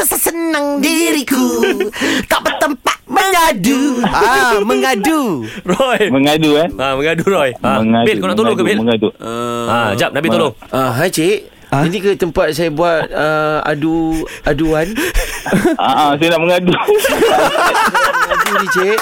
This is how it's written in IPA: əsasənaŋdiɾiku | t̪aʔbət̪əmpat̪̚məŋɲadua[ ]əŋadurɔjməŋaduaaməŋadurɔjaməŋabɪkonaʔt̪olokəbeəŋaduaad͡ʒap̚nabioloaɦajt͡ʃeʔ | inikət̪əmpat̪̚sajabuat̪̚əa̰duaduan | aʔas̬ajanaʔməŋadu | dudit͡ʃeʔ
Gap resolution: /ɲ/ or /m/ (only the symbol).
m